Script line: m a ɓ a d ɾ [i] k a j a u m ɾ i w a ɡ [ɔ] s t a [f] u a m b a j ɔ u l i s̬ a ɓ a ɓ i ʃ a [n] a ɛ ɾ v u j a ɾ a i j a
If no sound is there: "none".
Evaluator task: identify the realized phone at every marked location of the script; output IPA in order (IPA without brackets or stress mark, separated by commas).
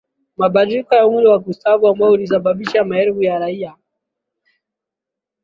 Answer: i, u, v, m